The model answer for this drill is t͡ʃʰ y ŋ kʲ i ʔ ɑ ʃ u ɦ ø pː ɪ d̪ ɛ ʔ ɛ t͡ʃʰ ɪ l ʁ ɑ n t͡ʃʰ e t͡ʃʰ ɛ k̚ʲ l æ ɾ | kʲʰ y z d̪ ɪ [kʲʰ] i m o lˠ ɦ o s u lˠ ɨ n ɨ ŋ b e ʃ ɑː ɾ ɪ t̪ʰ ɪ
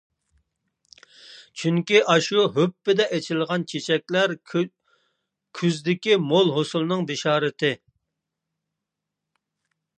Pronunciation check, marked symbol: incorrect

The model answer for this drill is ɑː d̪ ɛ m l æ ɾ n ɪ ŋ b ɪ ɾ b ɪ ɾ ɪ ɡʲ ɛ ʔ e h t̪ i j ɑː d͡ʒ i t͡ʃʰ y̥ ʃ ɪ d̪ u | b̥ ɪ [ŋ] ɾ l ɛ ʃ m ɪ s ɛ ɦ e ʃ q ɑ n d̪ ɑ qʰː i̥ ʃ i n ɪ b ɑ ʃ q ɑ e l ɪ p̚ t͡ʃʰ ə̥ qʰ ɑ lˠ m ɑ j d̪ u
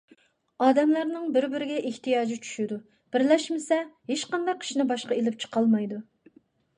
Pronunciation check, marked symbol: incorrect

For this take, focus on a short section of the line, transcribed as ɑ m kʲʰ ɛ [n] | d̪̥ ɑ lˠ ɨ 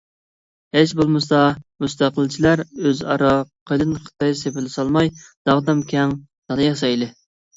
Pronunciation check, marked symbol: incorrect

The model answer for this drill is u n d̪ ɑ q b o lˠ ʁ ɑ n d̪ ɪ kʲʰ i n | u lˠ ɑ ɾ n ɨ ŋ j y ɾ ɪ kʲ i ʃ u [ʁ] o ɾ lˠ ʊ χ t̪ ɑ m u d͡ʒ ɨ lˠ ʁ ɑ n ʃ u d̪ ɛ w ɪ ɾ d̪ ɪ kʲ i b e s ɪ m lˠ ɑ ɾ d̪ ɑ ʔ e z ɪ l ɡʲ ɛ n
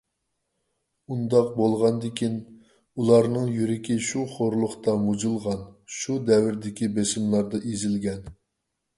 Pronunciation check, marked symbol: incorrect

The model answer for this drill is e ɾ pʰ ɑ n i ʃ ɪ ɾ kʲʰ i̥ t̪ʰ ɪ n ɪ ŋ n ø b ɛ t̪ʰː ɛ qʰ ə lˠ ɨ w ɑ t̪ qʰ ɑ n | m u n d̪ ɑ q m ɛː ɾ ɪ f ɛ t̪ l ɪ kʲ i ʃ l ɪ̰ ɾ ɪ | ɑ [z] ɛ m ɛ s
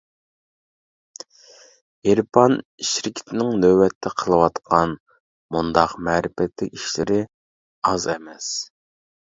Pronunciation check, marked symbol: correct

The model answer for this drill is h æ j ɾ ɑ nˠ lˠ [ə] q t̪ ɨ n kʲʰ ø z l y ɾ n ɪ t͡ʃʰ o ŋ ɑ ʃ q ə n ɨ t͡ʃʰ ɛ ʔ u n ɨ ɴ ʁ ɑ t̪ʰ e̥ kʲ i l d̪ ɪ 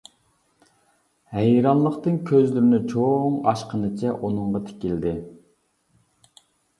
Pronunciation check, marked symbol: correct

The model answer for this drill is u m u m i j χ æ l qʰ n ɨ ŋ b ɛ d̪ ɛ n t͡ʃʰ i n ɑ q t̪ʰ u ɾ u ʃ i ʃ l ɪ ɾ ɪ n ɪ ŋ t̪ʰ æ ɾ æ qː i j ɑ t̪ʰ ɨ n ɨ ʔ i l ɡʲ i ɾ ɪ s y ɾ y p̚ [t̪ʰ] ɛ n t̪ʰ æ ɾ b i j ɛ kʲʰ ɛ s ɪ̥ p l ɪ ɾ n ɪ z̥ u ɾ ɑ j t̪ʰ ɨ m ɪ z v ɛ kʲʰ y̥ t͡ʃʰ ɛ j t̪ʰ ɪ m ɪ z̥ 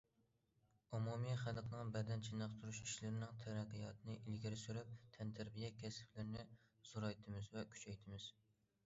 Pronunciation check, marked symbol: correct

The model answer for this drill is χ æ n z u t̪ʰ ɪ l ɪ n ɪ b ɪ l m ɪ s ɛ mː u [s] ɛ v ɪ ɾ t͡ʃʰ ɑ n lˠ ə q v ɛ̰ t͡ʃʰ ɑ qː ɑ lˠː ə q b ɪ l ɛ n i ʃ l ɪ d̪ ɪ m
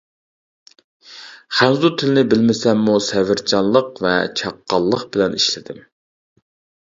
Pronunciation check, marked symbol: correct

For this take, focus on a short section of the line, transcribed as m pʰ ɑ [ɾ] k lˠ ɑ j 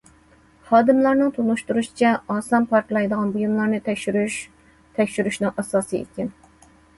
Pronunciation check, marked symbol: correct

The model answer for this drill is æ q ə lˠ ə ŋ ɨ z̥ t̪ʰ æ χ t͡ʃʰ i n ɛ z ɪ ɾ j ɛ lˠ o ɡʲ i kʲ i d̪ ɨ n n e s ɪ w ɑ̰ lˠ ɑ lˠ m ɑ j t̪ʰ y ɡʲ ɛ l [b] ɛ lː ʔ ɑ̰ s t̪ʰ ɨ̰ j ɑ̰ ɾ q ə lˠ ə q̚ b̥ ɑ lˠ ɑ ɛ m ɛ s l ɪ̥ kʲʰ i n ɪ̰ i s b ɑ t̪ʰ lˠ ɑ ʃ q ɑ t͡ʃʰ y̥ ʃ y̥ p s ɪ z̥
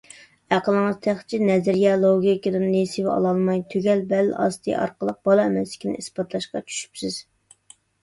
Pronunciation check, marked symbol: correct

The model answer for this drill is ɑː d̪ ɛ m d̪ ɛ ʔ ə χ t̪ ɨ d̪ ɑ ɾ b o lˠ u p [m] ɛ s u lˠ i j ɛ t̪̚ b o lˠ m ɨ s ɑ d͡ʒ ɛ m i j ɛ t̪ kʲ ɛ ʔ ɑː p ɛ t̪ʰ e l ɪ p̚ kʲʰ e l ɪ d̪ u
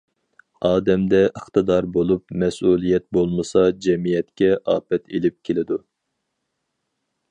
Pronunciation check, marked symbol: correct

